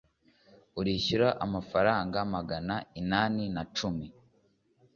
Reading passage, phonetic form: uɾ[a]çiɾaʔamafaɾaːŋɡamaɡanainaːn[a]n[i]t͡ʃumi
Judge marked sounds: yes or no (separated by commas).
no, no, no